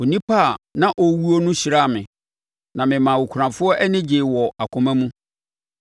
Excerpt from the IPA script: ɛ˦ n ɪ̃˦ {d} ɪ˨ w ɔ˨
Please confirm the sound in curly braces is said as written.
no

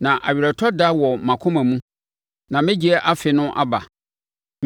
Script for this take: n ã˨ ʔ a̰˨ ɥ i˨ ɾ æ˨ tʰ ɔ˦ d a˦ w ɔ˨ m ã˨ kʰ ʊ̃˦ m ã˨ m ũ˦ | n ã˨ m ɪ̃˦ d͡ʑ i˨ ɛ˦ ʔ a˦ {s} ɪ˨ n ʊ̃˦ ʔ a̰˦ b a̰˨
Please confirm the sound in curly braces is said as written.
no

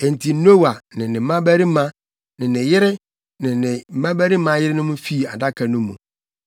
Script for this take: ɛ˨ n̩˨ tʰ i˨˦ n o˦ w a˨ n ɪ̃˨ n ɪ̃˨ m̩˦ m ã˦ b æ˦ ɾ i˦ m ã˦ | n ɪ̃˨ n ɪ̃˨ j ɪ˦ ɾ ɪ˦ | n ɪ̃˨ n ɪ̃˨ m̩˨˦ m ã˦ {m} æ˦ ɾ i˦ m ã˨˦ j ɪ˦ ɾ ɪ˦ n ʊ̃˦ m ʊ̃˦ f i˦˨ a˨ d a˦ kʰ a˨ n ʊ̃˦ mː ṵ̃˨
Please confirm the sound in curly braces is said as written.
no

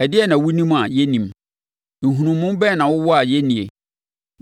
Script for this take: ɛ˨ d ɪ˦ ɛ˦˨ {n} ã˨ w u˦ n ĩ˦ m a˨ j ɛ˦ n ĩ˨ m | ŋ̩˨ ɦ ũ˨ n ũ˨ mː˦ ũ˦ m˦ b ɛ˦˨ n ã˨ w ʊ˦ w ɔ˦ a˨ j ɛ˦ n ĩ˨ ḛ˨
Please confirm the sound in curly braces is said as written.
yes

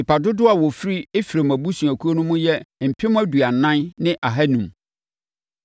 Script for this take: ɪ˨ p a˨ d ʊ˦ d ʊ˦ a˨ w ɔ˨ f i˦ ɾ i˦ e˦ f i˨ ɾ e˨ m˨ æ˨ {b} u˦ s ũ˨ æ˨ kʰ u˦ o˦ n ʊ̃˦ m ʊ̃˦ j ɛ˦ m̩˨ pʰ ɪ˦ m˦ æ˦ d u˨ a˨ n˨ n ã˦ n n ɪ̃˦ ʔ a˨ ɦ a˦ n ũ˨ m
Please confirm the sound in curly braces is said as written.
yes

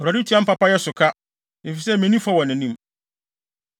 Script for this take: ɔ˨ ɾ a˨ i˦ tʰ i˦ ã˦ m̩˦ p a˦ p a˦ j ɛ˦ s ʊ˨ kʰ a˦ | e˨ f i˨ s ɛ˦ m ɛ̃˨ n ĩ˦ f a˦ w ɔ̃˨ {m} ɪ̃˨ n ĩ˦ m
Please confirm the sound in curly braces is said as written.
no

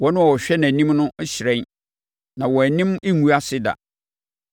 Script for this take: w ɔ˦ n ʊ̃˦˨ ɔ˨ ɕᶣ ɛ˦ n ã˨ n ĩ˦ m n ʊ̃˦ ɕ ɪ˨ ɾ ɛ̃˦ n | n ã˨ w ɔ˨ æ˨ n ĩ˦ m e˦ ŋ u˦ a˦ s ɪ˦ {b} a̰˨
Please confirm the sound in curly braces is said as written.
no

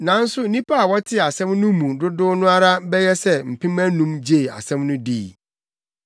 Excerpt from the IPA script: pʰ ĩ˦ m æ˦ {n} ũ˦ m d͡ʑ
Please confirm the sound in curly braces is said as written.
yes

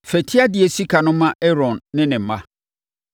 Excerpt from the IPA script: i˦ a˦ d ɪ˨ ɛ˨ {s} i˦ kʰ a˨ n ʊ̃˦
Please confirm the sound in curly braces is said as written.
yes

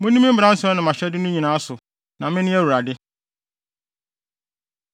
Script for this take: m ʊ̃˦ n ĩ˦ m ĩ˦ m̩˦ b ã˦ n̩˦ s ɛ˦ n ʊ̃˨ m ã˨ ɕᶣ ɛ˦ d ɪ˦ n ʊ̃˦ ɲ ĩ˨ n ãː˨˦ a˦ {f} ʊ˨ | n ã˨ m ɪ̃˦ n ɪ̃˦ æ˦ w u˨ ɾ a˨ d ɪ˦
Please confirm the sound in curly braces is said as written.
no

